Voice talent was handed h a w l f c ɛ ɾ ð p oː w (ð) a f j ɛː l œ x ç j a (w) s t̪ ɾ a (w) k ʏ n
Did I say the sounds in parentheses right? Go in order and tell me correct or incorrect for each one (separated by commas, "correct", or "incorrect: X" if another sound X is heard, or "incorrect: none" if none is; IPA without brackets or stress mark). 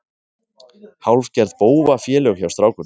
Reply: incorrect: v, correct, correct